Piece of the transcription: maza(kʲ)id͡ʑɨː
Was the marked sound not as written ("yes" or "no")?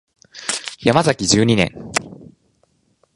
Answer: no